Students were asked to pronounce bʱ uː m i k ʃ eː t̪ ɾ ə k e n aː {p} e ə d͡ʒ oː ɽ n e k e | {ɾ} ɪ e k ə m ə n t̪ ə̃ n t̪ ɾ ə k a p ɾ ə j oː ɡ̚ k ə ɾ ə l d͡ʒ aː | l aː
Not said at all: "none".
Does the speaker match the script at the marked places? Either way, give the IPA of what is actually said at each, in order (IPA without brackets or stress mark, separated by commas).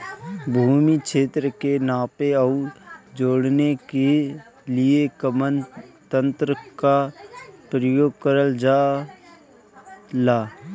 p, l